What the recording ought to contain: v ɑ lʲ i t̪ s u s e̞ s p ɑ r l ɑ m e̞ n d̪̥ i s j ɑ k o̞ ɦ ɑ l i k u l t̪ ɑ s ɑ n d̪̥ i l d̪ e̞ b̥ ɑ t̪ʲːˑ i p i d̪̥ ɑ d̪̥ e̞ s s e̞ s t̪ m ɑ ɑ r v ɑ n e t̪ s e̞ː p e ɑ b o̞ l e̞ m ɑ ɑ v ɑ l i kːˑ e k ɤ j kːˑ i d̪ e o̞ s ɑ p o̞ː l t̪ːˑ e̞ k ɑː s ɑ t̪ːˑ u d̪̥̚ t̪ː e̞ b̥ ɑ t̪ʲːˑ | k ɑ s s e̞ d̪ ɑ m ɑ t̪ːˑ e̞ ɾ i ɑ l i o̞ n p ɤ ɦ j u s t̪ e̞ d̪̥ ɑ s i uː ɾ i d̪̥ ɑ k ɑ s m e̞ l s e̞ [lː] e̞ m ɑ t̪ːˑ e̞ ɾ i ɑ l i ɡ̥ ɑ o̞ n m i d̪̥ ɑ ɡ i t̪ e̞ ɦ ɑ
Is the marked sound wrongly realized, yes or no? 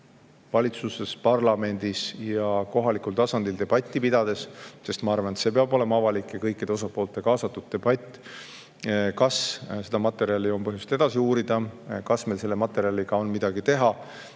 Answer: no